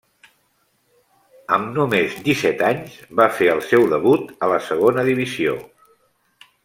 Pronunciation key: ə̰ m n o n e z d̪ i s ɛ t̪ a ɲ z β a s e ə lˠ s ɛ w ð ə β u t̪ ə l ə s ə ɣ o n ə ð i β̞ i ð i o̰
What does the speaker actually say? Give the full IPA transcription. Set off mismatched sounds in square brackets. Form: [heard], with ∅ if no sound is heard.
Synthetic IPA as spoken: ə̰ m n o [m] e z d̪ i s ɛ t̪ a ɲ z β a [f] e ə lˠ s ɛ w ð ə β u t̪ ə l ə s ə ɣ o n ə ð i β̞ i [z] i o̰